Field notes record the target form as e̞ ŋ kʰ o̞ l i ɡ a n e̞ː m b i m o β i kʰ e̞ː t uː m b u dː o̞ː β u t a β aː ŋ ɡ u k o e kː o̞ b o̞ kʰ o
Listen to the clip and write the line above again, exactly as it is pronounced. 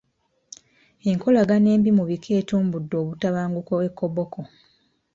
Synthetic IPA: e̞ ŋ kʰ o̞ l a ɡ a n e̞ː m b i m u β i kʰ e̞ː t uː m b u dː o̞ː β u t a β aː ŋ ɡ u k o e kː o̞ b o̞ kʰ o